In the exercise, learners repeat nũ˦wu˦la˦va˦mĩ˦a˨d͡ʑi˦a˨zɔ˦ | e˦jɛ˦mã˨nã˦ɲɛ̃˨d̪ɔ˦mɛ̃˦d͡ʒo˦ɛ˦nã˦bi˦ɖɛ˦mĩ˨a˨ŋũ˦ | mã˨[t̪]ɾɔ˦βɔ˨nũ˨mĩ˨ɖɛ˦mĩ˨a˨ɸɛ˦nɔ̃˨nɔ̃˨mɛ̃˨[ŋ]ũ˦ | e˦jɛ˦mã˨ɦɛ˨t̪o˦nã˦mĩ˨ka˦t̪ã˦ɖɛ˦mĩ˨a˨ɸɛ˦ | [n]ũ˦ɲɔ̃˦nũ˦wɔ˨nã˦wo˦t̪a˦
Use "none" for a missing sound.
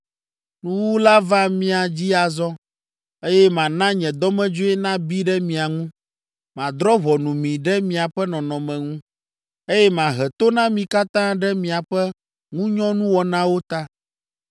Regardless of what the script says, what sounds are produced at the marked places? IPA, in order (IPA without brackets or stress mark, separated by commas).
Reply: d̪, ŋ, ŋ